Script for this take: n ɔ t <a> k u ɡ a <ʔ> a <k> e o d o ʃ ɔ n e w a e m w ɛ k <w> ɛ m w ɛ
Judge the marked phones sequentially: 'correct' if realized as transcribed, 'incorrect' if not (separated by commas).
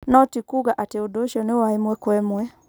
incorrect, correct, incorrect, correct